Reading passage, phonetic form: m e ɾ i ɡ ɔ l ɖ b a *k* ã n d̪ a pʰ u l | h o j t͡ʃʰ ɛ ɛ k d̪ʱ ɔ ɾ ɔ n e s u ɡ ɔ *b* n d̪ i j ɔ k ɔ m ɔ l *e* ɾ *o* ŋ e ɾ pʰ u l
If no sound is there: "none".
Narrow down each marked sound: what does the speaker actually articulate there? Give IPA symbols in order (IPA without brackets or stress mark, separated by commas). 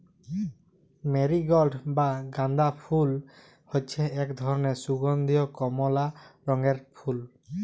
ɡ, none, a, ɔ